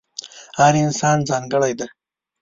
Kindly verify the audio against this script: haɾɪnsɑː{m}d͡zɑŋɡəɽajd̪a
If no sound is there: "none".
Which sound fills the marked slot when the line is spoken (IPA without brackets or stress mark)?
n